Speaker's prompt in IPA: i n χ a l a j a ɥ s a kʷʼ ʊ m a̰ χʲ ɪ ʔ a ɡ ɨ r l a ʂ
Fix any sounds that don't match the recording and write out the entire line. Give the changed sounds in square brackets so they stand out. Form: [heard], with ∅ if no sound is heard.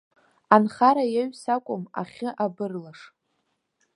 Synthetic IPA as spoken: [a] n χ a [ɾ] a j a ɥ s a kʷʼ ʊ m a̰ χʲ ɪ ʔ a [b] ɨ r l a ʂ